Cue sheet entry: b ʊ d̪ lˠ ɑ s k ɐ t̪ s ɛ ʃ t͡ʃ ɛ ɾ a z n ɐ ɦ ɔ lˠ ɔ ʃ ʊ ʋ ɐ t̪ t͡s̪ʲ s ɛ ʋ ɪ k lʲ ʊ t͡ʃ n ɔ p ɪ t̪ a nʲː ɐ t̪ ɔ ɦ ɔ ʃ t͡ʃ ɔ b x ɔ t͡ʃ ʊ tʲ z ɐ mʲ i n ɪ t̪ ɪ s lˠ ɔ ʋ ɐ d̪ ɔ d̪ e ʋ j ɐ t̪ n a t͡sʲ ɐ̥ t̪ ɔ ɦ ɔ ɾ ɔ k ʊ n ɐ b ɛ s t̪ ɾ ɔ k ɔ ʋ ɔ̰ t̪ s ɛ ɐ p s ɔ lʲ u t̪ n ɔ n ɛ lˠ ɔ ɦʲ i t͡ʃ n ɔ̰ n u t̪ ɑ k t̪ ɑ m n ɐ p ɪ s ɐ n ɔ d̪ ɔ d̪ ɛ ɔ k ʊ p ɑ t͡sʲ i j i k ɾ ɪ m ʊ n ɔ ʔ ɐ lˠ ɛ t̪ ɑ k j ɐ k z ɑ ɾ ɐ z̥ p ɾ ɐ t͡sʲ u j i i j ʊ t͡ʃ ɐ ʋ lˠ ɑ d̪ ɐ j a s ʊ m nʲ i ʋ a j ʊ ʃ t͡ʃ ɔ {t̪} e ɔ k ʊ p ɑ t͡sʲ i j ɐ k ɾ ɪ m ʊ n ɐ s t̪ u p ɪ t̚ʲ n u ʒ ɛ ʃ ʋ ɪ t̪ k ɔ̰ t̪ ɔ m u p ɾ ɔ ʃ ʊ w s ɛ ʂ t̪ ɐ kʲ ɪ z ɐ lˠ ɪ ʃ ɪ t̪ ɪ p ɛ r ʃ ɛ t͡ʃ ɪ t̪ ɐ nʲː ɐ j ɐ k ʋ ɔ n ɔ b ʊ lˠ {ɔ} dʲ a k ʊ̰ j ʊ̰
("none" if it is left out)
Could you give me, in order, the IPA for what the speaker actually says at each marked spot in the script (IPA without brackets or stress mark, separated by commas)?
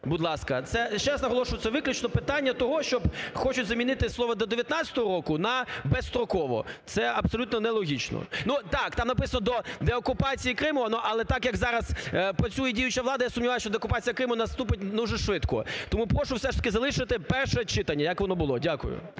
d̪, ɔ